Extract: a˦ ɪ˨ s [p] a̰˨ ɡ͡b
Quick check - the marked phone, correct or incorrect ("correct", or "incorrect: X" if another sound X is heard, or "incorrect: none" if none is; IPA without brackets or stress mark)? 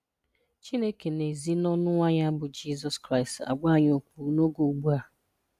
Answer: incorrect: t